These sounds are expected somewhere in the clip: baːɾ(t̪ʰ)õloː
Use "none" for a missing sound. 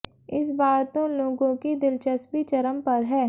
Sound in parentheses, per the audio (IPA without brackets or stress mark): t̪